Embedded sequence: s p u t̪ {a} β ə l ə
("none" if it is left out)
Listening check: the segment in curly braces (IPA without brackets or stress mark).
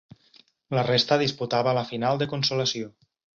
a